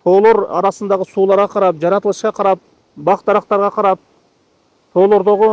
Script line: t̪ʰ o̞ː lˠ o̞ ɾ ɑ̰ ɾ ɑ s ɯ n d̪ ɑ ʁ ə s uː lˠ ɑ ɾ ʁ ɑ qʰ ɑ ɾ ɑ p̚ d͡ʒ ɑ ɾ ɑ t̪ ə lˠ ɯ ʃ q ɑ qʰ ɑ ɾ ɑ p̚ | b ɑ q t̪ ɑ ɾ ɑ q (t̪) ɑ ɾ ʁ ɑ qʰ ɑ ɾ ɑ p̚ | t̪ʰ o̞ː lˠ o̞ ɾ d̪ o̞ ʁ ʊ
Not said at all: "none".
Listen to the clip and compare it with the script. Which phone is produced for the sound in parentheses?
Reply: t̪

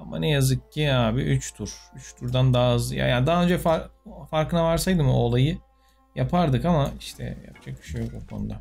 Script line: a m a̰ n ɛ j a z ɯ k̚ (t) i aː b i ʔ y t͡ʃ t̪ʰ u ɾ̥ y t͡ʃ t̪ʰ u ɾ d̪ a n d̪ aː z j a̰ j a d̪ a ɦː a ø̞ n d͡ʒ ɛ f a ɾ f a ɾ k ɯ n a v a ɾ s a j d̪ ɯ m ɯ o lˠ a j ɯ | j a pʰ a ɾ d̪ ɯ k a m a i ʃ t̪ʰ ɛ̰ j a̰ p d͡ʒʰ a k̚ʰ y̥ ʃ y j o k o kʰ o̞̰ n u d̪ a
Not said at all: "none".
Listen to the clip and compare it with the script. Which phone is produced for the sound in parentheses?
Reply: c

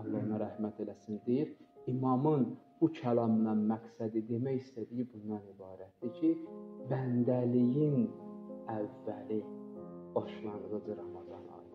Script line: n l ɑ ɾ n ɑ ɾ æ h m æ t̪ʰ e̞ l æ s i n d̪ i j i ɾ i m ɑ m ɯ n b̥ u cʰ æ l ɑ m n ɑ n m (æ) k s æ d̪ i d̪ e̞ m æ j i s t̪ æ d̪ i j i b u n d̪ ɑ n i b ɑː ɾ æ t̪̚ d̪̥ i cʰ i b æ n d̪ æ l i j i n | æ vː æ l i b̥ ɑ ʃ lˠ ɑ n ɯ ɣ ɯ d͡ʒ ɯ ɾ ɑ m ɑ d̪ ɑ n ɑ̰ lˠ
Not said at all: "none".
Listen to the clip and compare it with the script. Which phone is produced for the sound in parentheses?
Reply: æ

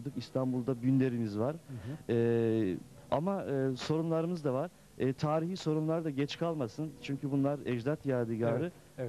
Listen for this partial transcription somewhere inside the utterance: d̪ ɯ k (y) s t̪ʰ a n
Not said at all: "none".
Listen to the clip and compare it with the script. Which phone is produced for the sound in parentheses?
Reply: i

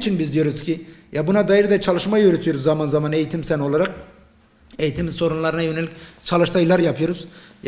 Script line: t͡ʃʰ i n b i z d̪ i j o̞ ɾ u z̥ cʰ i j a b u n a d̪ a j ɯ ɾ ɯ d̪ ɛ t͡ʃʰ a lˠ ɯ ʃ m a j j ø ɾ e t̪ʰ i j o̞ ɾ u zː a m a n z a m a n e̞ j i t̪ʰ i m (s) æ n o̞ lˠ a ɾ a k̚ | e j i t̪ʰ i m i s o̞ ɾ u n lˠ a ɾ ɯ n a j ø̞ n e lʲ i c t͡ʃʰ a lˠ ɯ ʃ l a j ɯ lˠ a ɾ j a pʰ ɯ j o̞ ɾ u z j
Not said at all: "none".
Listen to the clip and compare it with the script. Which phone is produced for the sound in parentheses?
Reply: s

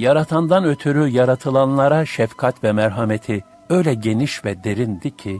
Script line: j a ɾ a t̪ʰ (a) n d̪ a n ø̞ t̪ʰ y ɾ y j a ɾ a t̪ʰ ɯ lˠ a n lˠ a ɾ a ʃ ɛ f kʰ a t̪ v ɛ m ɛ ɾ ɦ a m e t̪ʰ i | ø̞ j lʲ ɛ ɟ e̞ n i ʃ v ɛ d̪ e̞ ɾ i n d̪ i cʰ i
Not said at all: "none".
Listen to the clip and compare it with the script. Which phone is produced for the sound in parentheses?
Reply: a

